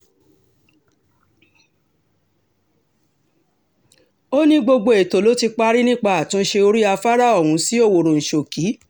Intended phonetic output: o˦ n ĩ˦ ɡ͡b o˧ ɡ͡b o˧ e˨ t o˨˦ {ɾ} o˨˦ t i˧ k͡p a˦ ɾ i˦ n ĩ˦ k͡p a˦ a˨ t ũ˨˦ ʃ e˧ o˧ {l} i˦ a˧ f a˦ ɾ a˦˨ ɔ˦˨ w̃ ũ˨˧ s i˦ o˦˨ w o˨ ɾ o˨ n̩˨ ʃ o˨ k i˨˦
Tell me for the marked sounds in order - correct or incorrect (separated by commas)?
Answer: incorrect, incorrect